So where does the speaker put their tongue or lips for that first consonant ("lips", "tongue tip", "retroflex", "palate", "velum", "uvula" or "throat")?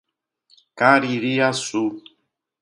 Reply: velum